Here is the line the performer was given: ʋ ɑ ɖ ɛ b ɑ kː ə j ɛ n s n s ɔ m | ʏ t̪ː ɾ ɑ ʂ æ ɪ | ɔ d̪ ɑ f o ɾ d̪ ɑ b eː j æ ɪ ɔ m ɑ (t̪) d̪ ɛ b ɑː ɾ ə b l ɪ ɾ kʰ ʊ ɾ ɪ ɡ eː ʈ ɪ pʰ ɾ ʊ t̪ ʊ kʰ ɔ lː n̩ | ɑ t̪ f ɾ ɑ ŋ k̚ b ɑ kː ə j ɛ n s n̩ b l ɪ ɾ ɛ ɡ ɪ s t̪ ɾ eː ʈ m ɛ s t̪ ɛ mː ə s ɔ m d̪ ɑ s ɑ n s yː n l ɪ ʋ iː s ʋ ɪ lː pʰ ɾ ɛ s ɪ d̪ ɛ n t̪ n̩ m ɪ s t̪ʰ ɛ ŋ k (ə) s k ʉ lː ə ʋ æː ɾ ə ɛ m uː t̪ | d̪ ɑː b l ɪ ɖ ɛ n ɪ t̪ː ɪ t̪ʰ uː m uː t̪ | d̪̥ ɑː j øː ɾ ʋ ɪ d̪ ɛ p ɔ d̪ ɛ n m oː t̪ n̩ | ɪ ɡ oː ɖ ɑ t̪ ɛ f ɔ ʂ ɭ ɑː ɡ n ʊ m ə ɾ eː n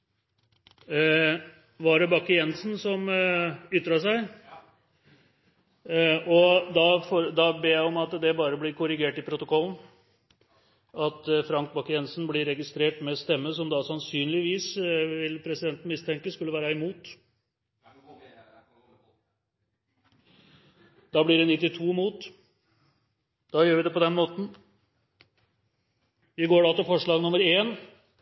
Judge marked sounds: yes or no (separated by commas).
yes, yes